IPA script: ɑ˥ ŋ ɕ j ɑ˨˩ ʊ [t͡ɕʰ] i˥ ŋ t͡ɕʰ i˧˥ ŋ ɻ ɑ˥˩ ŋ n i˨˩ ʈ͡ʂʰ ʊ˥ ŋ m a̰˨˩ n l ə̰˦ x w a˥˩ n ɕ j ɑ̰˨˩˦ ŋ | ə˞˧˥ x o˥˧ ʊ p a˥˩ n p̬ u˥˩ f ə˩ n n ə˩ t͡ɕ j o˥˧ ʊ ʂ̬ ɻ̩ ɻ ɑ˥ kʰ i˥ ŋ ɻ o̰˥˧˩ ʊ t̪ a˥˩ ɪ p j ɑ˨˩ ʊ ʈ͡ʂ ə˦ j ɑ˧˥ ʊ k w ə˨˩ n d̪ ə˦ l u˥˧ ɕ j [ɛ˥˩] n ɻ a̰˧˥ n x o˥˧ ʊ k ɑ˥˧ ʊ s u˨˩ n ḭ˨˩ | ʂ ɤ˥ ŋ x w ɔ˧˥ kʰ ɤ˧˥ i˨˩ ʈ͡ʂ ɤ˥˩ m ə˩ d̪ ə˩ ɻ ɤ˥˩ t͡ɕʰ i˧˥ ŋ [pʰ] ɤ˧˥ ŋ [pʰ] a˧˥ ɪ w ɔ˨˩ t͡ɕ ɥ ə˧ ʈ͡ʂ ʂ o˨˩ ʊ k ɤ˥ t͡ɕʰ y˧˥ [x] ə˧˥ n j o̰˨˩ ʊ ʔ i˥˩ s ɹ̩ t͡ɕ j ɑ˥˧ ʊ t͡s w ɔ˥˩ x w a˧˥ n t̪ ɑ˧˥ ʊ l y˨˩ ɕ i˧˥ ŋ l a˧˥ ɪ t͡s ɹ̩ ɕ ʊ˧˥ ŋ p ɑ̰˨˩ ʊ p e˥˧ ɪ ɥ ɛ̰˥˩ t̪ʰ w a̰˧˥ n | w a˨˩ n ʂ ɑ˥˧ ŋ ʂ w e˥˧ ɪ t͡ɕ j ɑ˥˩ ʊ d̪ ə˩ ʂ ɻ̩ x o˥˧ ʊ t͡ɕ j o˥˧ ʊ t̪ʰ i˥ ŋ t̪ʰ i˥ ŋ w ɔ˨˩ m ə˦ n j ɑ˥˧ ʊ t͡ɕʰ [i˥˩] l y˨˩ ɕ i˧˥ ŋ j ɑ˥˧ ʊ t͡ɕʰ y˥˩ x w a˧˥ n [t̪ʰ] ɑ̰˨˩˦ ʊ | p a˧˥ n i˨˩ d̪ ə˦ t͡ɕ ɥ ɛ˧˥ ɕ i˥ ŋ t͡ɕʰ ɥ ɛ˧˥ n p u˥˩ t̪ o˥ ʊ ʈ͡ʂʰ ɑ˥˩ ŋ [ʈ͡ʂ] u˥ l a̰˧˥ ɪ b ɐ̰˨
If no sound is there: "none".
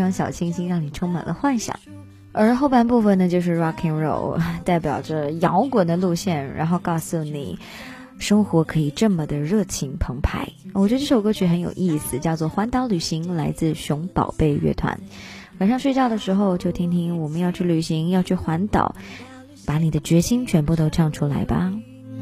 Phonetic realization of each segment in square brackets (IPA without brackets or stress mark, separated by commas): t͡ɕʰ, ɛ˥˩, pʰ, pʰ, x, y˥˩, t̪, ʈ͡ʂʰ